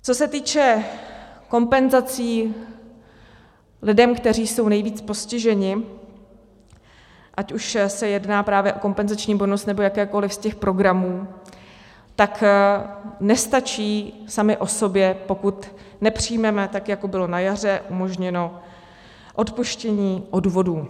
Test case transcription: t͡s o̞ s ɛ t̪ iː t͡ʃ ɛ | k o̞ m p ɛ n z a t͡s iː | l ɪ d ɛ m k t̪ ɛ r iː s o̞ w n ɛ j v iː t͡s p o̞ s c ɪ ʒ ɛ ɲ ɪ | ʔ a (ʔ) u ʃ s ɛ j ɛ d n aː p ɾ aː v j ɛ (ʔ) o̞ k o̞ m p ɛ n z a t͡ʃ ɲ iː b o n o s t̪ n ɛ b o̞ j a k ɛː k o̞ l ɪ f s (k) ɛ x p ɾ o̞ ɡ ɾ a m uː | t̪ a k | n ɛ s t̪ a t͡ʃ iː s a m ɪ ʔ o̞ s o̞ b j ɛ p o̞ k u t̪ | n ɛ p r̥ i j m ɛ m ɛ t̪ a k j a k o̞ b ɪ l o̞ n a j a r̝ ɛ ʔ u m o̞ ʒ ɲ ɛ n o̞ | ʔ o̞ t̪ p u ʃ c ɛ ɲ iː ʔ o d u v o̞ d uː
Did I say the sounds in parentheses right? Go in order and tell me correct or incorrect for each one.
incorrect: c, correct, incorrect: c

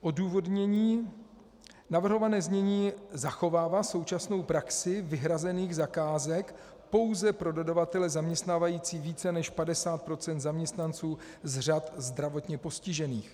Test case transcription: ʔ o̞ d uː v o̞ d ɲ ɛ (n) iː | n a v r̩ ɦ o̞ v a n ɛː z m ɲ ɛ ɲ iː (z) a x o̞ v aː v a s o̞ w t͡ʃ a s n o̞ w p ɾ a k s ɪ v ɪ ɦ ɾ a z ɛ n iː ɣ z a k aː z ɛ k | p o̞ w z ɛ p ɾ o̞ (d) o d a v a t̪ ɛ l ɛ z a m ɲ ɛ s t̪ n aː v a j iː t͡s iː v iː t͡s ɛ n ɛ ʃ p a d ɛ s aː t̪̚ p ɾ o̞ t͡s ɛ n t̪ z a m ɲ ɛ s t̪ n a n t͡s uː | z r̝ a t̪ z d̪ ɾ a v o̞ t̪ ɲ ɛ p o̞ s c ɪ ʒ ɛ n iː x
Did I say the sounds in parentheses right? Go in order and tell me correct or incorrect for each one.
incorrect: ɲ, correct, correct

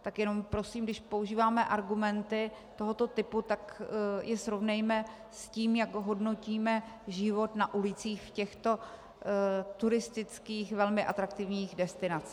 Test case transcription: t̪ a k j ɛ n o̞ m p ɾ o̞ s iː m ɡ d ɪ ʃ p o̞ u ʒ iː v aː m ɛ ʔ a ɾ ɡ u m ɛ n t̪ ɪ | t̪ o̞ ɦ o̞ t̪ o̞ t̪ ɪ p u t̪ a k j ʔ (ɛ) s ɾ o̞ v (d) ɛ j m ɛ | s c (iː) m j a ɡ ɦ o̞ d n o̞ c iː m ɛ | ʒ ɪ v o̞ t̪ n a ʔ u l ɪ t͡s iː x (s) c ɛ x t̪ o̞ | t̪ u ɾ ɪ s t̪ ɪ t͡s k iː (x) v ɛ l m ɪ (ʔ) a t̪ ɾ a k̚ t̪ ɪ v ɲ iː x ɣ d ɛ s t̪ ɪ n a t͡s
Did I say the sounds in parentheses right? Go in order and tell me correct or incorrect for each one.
correct, incorrect: n, correct, incorrect: f, correct, correct

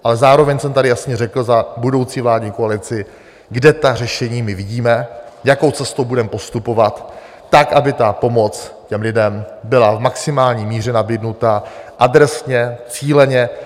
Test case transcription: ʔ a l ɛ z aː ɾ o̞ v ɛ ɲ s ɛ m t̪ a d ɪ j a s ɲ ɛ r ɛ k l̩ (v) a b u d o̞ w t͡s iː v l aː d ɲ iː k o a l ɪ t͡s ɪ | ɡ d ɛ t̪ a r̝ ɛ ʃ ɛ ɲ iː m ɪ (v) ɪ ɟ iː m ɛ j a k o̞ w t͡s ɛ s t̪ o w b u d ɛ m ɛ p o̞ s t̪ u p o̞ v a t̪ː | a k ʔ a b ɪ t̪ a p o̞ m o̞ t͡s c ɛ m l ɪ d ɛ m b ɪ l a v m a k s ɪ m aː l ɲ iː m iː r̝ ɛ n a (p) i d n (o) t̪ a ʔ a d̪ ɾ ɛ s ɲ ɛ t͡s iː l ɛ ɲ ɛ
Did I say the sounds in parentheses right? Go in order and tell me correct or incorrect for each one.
incorrect: z, correct, incorrect: b, incorrect: u

